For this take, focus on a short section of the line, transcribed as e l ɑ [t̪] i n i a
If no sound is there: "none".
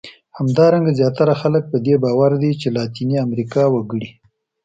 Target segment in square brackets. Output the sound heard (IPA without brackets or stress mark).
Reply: t̪